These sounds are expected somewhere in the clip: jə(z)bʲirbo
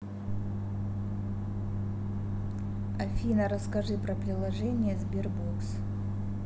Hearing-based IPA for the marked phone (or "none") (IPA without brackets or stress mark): z